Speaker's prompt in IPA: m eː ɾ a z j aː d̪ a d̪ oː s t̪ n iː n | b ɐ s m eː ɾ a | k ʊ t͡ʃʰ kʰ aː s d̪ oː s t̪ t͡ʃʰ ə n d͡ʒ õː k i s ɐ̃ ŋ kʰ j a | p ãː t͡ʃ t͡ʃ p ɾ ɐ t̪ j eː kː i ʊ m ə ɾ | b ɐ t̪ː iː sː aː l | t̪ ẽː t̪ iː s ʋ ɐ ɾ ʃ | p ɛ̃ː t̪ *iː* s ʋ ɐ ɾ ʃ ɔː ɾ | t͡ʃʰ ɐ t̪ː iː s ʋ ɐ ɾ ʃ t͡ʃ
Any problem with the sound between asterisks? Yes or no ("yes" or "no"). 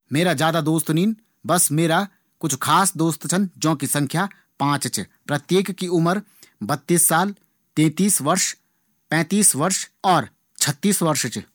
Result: no